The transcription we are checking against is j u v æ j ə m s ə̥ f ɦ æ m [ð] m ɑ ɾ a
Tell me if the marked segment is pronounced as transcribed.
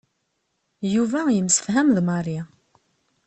yes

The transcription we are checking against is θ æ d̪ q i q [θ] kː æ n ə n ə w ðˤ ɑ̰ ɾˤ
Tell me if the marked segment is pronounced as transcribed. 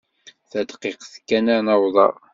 yes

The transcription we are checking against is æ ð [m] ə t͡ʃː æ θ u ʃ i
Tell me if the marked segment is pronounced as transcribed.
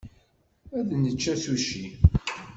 no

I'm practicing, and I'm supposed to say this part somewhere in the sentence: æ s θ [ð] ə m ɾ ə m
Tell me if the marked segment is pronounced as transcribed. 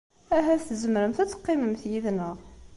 no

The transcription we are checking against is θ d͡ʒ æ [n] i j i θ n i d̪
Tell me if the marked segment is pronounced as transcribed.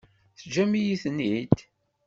no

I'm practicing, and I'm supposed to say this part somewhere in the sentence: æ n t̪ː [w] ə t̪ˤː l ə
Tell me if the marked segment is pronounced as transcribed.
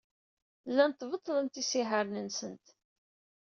no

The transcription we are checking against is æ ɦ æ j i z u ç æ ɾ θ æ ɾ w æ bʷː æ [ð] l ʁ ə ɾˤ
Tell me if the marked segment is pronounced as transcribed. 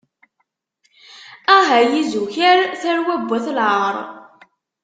no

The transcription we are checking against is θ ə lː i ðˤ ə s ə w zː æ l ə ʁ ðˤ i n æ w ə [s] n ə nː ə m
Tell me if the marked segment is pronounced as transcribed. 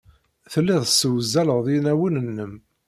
no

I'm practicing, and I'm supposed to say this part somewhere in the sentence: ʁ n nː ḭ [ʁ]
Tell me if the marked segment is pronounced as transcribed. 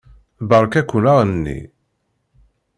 no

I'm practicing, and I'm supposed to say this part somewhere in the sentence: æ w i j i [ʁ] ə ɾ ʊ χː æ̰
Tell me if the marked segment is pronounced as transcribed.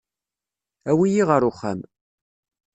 yes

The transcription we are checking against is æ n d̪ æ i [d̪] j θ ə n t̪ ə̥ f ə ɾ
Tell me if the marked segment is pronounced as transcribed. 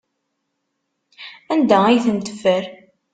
no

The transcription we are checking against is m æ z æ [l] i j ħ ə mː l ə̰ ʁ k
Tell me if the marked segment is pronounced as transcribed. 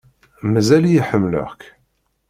yes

